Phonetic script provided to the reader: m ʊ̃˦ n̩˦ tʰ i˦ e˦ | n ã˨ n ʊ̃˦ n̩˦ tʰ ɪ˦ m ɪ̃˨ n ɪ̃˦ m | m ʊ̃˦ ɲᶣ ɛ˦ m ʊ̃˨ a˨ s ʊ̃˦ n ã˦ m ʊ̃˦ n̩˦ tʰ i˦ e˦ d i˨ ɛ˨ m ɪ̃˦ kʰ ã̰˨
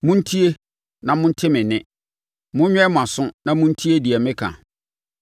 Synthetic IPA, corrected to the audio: m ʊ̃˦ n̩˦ tʰ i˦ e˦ | n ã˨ m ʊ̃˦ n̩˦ tʰ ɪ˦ m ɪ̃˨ n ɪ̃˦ | m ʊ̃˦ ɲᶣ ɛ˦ m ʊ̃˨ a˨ s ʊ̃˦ n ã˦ m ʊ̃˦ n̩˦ tʰ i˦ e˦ d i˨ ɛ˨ m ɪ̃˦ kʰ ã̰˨